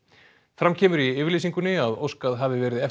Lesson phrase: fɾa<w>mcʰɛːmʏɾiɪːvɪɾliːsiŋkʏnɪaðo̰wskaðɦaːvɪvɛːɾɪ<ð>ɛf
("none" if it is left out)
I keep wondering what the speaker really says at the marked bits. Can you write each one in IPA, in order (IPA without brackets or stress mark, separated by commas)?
none, ð